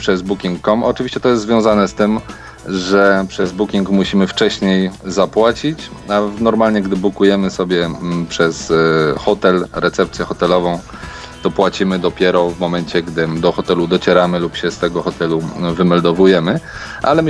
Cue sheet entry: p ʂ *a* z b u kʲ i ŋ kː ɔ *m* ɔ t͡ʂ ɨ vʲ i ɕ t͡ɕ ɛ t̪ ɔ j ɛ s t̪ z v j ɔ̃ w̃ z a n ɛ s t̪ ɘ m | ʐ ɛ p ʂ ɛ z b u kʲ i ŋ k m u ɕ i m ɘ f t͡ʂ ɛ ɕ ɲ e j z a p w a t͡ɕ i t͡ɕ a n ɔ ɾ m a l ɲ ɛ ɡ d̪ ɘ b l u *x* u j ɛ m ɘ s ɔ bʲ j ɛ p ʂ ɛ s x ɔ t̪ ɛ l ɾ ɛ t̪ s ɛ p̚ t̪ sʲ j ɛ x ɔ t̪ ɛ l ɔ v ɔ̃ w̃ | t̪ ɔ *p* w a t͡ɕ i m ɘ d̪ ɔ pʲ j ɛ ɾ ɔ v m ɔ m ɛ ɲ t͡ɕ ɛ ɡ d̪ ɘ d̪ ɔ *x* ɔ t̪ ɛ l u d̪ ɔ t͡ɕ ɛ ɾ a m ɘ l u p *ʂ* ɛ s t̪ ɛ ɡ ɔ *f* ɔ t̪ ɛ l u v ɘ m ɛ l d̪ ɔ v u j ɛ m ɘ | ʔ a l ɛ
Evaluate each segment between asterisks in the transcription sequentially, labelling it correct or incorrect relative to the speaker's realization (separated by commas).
incorrect, correct, incorrect, correct, correct, incorrect, incorrect